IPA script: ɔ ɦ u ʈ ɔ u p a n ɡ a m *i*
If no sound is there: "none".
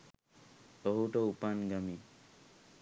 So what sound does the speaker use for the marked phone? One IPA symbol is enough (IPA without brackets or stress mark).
i